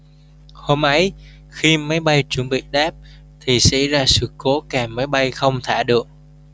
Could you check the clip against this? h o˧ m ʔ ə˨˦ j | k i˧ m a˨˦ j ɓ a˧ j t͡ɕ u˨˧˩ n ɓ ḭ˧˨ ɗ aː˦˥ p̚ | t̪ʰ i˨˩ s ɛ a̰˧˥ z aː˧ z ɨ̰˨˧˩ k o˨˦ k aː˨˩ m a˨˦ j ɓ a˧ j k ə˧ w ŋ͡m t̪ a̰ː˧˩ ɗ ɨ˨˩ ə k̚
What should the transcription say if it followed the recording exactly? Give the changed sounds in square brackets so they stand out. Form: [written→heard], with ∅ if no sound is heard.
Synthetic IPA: h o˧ m ʔ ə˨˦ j | [k→x] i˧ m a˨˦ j ɓ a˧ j t͡ɕ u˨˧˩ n ɓ ḭ˧˨ ɗ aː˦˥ p̚ | t̪ʰ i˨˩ s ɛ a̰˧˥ z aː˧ [z→s] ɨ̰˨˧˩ k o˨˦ k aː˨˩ m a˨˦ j ɓ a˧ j [k→x] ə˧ w ŋ͡m [t̪→t̪ʰ] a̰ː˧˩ ɗ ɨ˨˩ ə k̚